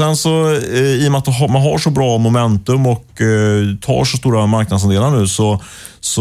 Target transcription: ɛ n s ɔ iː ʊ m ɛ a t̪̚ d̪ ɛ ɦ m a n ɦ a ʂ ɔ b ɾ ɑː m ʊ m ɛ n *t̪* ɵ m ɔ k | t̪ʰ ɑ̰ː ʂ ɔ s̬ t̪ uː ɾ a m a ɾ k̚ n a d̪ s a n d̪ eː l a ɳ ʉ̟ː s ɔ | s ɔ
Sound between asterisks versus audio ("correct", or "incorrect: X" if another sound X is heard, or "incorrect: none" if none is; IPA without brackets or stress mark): correct